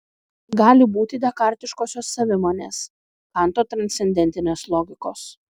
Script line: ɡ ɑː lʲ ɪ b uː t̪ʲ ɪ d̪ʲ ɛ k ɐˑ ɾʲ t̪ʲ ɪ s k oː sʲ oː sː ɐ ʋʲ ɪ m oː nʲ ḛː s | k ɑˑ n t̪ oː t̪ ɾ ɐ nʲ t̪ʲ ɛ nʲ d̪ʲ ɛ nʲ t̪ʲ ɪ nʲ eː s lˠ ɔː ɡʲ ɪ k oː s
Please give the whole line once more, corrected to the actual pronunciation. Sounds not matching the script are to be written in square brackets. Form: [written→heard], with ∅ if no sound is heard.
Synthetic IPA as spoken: ɡ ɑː lʲ ɪ b uː t̪ʲ ɪ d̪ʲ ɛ k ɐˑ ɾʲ t̪ʲ ɪ [s→ʃ] k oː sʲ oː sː ɐ ʋʲ ɪ m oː nʲ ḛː s | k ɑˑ n t̪ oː t̪ ɾ ɐ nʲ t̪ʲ ɛ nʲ d̪ʲ ɛ nʲ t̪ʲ ɪ nʲ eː s lˠ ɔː ɡʲ ɪ k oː s